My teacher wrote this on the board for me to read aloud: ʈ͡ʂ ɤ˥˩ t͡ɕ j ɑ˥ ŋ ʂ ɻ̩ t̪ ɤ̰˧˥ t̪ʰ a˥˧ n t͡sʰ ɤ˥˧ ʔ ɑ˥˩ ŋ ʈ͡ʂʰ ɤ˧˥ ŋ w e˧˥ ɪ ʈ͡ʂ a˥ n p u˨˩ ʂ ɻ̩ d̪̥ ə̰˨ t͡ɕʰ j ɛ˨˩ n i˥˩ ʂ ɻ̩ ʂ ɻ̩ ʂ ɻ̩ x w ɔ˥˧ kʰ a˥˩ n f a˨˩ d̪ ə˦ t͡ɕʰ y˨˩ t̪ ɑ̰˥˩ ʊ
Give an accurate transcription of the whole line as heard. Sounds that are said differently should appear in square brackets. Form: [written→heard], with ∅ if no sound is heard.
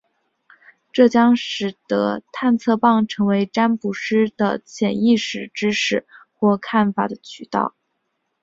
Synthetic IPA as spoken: ʈ͡ʂ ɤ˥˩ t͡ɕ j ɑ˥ ŋ ʂ ɻ̩ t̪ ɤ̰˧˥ t̪ʰ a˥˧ n t͡sʰ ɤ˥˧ [ʔ→p] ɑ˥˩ ŋ ʈ͡ʂʰ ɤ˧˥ ŋ w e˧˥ ɪ ʈ͡ʂ a˥ n p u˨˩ ʂ ɻ̩ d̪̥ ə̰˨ t͡ɕʰ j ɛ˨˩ n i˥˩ ʂ ɻ̩ [ʂ→ʈ͡ʂ] ɻ̩ ʂ ɻ̩ x w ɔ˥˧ kʰ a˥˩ n f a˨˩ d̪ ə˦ t͡ɕʰ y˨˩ t̪ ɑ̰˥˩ ʊ